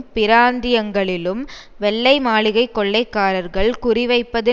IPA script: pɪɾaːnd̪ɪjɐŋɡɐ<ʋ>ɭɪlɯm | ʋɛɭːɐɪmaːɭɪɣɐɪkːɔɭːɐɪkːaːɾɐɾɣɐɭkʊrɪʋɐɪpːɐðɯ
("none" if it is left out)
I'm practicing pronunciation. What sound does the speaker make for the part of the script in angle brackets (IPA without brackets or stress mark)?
none